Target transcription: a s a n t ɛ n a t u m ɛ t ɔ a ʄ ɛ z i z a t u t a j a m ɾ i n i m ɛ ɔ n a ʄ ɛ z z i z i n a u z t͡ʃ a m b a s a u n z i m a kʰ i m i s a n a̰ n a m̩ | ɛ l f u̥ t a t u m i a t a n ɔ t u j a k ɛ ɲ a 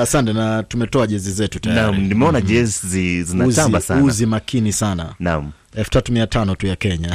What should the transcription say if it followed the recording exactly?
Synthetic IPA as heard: a s a n t ɛ n a t u m ɛ t ɔ a ʄ ɛ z i z ɛ t u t a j a m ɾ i n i m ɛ ɔ n a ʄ ɛ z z i z i n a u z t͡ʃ a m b a s a u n z i m a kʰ i n i s a n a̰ n a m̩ | ɛ l f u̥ t a t u m i a t a n ɔ t u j a k ɛ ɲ a